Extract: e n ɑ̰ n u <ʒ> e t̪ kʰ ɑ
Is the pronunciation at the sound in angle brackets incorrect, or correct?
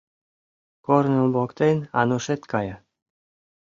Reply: incorrect